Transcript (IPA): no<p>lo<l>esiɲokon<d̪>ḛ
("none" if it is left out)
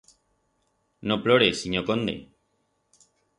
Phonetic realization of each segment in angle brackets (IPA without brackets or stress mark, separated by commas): p, ɾ, d̪